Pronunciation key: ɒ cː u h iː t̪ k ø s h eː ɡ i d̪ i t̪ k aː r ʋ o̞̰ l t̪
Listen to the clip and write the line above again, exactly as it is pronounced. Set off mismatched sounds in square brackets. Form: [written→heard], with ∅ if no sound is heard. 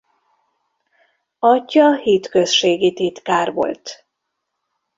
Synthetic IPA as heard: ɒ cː [u→ɒ] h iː t̪ k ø s [h→ʃ] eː ɡ i [d̪→t̪] i t̪ k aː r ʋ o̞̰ l t̪